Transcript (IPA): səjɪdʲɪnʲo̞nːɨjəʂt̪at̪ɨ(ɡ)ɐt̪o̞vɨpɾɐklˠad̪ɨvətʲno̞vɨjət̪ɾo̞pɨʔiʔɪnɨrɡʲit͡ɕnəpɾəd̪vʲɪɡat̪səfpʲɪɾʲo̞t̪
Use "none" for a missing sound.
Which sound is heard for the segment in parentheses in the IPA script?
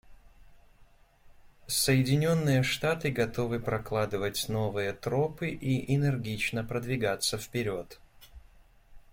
ɡ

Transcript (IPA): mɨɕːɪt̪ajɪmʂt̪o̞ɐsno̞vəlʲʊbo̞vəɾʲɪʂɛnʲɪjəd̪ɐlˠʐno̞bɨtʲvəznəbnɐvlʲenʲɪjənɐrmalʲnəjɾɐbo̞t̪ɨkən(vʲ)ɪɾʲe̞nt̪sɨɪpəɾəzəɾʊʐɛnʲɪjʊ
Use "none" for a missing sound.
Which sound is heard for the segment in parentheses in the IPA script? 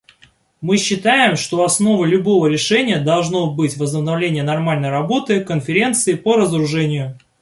fʲ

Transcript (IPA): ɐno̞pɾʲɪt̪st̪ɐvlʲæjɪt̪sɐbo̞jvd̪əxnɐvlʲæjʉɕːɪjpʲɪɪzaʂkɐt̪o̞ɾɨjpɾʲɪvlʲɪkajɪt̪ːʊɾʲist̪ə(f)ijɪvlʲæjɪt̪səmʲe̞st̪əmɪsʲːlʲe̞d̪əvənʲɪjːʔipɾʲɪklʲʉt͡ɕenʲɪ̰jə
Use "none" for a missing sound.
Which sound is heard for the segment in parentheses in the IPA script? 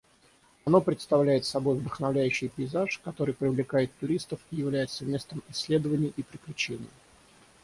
f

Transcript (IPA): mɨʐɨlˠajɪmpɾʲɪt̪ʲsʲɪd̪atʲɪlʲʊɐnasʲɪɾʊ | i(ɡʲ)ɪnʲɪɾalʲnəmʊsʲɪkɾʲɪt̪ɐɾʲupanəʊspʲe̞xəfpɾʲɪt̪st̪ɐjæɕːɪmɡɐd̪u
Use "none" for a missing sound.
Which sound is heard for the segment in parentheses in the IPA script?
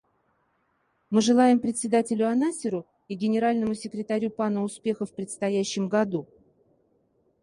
ɡʲ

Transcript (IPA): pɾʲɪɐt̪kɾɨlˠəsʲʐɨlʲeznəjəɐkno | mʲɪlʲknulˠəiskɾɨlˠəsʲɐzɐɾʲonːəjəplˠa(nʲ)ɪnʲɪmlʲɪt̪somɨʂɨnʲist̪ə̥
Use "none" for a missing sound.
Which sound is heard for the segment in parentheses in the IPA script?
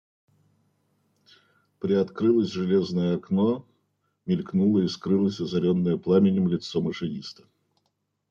mʲ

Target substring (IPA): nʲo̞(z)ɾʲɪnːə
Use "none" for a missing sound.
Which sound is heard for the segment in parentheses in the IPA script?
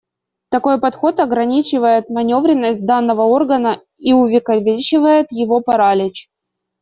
v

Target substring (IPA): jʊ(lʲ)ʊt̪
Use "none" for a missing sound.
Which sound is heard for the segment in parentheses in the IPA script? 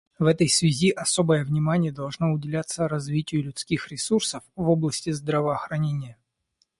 lʲ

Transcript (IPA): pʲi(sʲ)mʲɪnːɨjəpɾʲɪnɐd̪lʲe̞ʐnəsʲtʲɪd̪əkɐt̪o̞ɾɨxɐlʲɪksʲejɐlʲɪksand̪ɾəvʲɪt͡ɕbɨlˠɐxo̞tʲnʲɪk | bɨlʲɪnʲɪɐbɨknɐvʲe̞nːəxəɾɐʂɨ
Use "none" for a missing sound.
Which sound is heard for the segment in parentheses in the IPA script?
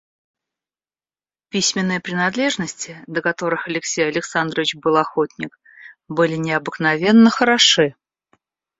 sʲ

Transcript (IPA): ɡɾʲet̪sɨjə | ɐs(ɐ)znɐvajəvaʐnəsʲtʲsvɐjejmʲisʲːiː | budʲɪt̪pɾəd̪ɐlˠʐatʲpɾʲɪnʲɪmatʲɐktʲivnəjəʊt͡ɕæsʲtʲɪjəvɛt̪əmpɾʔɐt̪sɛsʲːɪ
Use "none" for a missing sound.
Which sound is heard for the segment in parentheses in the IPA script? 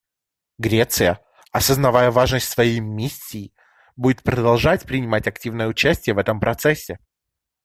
ə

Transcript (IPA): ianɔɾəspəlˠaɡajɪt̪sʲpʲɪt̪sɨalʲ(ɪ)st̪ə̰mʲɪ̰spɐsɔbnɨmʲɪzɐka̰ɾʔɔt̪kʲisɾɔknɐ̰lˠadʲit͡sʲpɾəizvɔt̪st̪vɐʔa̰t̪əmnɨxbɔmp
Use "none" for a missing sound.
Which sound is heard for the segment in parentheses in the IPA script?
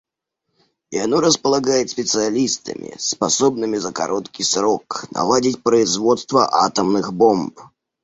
i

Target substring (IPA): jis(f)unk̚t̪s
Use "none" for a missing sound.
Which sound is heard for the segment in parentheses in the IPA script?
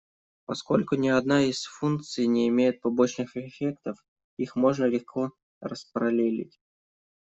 f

